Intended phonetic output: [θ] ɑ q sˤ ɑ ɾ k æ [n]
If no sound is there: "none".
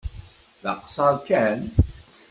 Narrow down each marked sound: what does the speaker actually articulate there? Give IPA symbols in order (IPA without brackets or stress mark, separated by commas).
ð, n